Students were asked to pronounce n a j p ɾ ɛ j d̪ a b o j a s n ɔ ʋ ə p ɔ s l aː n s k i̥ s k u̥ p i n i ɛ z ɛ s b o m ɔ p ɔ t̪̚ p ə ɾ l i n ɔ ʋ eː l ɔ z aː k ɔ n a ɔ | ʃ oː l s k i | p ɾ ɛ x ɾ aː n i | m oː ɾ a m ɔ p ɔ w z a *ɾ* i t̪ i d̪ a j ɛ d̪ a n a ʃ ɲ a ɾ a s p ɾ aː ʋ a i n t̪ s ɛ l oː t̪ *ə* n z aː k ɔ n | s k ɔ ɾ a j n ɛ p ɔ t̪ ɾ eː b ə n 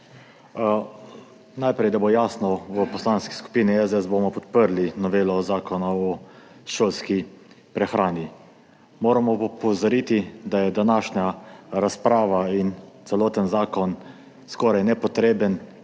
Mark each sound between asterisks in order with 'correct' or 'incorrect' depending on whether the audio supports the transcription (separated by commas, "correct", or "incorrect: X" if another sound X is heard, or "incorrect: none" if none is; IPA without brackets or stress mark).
correct, correct